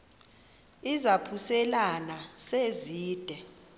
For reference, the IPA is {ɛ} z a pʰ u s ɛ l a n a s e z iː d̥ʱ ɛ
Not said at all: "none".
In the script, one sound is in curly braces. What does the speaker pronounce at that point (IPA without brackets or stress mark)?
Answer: i